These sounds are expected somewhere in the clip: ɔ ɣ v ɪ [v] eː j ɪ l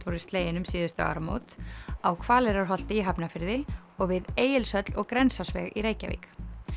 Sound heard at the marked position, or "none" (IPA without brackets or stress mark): ð